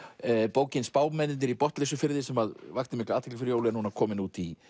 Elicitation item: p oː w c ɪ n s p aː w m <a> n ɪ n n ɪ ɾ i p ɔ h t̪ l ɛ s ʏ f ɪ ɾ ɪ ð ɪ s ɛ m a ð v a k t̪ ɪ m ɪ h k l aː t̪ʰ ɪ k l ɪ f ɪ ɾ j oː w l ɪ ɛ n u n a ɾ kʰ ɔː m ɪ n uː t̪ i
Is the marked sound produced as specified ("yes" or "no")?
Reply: no